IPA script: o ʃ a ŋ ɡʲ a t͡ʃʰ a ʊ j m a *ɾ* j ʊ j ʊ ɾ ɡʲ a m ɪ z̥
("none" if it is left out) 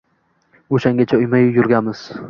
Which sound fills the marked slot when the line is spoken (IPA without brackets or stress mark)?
none